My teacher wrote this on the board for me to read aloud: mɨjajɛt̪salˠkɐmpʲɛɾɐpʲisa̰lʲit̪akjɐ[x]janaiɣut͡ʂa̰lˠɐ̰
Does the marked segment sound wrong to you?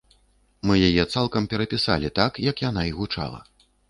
yes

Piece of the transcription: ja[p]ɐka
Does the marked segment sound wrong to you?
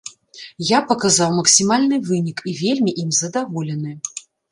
no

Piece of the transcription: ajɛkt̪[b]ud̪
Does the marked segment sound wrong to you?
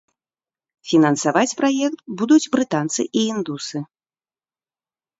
no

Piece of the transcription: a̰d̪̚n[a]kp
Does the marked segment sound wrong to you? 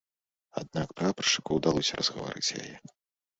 no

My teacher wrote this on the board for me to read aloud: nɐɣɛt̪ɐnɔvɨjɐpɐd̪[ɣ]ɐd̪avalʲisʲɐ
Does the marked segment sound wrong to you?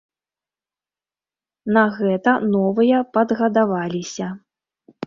no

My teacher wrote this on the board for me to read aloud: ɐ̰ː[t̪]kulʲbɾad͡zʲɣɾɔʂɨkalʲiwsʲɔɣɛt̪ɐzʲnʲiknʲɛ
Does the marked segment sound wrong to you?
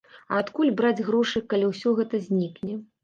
no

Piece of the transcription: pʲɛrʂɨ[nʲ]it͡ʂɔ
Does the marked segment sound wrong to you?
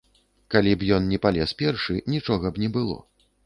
no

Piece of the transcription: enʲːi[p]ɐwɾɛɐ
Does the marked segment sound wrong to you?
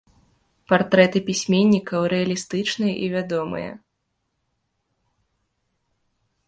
yes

